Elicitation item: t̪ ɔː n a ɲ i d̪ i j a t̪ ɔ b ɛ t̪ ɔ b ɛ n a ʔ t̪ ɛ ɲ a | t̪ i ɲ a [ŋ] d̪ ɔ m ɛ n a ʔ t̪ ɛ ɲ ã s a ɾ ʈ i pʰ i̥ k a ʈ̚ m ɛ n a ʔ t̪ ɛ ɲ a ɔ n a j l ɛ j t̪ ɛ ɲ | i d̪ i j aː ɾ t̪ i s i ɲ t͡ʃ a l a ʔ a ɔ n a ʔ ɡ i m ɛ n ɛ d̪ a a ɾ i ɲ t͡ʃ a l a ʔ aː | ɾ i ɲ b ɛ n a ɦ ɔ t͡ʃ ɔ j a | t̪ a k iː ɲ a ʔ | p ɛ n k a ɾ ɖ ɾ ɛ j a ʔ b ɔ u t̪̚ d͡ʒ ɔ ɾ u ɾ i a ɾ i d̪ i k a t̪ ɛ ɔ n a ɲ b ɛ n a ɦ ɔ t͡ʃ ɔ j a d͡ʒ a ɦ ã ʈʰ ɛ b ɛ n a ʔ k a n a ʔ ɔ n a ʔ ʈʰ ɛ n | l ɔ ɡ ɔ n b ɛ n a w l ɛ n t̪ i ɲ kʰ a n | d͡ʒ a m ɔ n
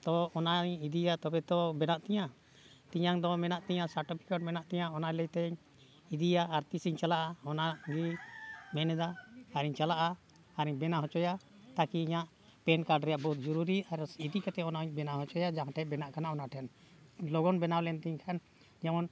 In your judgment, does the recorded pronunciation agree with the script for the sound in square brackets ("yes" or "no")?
yes